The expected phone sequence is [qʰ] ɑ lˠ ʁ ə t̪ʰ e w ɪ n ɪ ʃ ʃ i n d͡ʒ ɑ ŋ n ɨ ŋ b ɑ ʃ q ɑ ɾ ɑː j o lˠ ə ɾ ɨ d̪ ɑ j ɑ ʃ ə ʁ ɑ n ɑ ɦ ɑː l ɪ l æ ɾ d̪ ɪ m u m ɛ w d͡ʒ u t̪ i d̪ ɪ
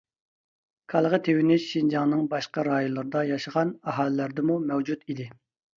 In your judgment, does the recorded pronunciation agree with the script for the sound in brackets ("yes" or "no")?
no